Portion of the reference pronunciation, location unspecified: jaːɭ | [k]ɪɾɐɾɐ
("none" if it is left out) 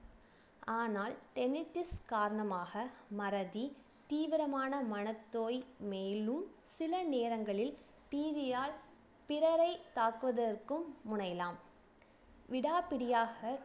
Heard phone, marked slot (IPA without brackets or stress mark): p